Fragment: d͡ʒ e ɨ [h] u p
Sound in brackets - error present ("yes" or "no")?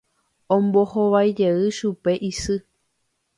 yes